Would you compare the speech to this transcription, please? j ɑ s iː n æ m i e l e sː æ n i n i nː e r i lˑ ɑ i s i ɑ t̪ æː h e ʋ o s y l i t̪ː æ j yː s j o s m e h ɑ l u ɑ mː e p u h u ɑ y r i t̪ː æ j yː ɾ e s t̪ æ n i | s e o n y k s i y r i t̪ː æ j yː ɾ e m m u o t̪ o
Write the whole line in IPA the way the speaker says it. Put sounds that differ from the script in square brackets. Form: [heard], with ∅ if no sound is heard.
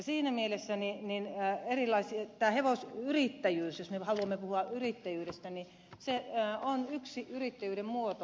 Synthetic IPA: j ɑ s iː n æ m i e l e sː æ n i n i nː e r i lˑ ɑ i s i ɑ t̪ æː h e ʋ o s y [r] i t̪ː æ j yː s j o s m e h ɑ l u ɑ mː e p u h u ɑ y r i t̪ː æ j yː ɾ e s t̪ æ n i | s e o n y k s i y r i t̪ː æ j yː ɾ e m m u o t̪ o